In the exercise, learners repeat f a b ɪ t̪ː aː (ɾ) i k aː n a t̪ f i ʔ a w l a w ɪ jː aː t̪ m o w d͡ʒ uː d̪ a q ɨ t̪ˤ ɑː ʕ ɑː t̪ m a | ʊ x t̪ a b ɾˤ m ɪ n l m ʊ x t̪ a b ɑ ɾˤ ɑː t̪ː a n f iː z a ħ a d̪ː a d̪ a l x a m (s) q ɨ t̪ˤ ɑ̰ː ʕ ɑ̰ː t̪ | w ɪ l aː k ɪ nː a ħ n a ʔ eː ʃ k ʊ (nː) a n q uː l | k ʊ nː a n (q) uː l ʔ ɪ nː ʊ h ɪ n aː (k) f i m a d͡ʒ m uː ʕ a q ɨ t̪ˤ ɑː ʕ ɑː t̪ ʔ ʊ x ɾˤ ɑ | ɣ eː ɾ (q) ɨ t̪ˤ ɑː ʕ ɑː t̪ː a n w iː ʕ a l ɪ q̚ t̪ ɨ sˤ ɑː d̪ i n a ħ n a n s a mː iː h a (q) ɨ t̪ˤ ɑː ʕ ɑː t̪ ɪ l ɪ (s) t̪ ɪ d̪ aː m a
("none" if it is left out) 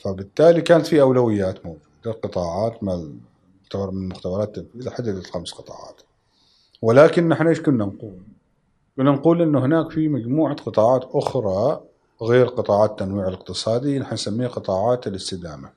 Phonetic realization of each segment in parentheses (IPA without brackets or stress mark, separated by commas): l, s, nː, q, k, q, q, s